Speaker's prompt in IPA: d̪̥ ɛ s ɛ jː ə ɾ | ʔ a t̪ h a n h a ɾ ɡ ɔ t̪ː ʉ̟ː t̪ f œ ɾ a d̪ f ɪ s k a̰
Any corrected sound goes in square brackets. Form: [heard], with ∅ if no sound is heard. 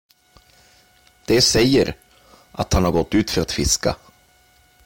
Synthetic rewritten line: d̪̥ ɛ s ɛ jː ə ɾ | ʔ a t̪ h a n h a ɾ ɡ ɔ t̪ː ʉ̟ː t̪ f œ ɾ a [t̪] f ɪ s k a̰